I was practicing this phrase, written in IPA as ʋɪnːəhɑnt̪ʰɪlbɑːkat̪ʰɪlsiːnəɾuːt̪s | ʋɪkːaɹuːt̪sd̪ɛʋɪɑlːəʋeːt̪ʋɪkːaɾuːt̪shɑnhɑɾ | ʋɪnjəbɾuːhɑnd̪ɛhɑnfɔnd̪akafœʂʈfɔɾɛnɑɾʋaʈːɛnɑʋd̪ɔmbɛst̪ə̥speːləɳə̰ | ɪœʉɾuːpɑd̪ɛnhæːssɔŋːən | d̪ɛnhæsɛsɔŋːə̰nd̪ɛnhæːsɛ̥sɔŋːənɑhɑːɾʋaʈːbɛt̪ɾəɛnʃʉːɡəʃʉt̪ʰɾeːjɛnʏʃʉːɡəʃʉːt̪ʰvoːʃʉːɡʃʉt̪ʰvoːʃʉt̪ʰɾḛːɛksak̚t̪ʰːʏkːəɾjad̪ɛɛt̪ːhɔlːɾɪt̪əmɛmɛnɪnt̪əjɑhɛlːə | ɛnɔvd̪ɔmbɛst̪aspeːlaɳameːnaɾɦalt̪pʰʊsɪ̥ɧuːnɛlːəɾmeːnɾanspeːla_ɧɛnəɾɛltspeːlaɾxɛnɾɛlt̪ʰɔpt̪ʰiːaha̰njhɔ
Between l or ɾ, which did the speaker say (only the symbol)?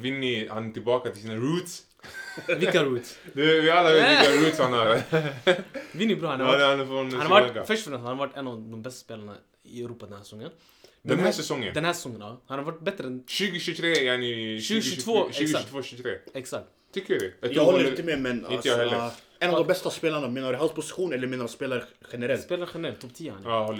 ɾ